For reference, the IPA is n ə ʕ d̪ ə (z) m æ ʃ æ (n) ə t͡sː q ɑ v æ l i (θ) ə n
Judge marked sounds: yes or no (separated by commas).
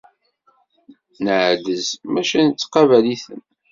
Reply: yes, yes, yes